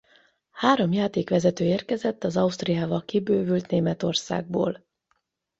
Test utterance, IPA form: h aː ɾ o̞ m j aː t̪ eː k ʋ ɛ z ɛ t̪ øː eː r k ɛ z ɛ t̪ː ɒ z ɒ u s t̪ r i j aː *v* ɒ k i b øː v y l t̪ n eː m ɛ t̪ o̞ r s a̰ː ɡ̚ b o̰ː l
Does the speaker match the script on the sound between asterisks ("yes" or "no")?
yes